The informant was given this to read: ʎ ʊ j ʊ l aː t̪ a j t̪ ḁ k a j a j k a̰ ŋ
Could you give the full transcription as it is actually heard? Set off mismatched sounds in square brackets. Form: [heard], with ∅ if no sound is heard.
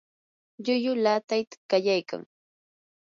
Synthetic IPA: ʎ ʊ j ʊ l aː t̪ a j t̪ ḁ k a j a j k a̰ ŋ